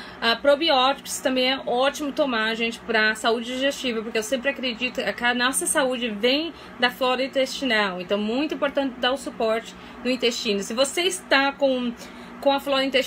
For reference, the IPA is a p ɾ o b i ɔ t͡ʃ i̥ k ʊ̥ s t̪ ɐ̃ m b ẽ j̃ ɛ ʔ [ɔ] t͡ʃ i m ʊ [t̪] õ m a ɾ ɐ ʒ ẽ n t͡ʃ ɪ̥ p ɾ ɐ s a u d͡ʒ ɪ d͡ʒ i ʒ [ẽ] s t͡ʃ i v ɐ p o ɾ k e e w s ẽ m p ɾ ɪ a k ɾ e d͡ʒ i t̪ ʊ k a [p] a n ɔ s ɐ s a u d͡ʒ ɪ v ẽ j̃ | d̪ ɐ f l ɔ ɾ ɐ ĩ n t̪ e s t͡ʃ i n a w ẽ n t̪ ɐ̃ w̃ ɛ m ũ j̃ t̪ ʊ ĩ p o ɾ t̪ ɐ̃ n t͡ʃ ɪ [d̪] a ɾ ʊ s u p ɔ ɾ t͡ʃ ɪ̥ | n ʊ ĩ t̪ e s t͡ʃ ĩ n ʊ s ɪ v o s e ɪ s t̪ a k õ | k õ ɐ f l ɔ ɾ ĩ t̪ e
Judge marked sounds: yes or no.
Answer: yes, yes, no, no, yes

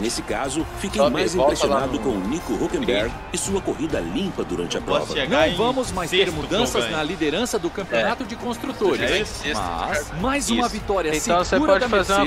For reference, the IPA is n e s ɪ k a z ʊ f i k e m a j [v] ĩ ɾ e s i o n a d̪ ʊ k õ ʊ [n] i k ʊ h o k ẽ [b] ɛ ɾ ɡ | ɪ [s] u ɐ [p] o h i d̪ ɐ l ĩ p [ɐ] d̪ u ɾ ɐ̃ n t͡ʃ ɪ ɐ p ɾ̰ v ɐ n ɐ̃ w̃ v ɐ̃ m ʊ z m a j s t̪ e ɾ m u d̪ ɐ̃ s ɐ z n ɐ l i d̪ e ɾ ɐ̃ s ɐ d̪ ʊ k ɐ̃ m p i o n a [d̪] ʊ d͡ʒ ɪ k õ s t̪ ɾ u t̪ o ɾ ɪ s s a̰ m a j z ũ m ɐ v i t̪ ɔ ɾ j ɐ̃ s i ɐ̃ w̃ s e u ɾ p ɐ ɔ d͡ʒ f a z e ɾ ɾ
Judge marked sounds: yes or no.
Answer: no, yes, yes, yes, no, yes, no

